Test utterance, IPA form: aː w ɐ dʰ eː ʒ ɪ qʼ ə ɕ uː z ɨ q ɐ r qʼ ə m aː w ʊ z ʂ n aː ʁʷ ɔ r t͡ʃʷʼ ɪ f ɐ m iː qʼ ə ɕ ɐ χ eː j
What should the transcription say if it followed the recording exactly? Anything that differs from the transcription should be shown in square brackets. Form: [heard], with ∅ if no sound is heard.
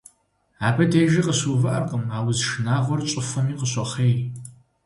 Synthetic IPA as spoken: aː [b] ɐ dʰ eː ʒ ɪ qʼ ə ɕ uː [v] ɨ [ʔ] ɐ r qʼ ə m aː w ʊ z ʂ n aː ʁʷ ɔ r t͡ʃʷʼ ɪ f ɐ m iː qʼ ə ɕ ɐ χ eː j